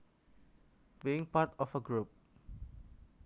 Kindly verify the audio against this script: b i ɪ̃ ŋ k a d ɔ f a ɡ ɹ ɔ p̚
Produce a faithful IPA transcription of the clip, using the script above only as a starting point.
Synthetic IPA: b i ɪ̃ ŋ p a t ɔ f ə ɡ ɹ u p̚